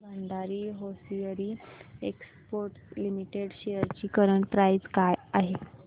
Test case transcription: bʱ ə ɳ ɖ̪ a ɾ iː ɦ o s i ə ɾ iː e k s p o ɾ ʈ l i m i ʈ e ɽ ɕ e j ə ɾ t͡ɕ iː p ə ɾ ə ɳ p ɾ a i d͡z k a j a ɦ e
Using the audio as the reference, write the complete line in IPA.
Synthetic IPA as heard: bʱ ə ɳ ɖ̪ a ɾ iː ɦ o s i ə ɾ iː e k s p o ɾ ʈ l i m i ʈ e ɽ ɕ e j ə ɾ t͡ɕ iː k ə ɾ ə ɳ p ɾ a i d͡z k a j a ɦ e

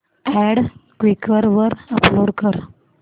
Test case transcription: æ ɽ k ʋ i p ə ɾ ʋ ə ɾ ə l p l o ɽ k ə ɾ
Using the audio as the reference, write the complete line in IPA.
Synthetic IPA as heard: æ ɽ k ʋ i k ə ɾ ʋ ə ɾ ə p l o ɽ k ə ɾ

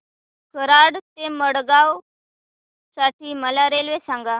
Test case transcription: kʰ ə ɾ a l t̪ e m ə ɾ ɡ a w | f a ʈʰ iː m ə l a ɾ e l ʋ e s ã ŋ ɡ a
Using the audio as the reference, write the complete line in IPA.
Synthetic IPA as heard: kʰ ə ɾ a ɽ t̪ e m ə ɽ ɡ a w | s a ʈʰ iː m ə l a ɾ e l ʋ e s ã ŋ ɡ a

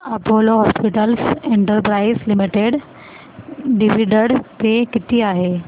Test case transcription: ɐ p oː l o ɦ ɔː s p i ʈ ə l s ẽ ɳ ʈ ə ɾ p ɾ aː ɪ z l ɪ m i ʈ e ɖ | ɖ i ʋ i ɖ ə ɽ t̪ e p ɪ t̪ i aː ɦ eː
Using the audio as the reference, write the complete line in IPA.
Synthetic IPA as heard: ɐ p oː l o ɦ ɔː s p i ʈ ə l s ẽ ɳ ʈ ə ɾ p ɾ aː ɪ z l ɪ m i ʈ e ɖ | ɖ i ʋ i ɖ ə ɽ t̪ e k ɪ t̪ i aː ɦ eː

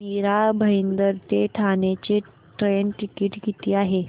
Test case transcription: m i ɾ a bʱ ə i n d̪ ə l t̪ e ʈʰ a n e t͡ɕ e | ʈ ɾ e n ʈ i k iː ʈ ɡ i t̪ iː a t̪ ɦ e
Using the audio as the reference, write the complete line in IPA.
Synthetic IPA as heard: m i ɾ a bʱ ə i n d̪ ə ɾ t̪ e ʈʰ a n e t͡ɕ e | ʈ ɾ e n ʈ i k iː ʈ ɡ i t̪ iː a ɦ e

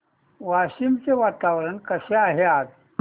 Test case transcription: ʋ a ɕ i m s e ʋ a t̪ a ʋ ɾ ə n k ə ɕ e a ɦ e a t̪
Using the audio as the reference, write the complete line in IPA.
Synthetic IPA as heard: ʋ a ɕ i m t͡s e ʋ a t̪ a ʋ ɾ ə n k ə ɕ e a ɦ e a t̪

